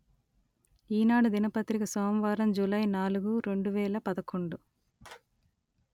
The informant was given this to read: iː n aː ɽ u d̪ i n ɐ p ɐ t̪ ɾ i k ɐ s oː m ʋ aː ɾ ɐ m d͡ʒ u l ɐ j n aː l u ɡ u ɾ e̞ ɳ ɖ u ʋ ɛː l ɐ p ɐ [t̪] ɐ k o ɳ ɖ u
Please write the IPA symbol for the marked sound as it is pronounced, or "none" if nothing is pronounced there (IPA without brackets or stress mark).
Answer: d̪